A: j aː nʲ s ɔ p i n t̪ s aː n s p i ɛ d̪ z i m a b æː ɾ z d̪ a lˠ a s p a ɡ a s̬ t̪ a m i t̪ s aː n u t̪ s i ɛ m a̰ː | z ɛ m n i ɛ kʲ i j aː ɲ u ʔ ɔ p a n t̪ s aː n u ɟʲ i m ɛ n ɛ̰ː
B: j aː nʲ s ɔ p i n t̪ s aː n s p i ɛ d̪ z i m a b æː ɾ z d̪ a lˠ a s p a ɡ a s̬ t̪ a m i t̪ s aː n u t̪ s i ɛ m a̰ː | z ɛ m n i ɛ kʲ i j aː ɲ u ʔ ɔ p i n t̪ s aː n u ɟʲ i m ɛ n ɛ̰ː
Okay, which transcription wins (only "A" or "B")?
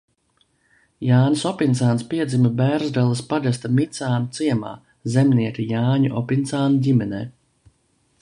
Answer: B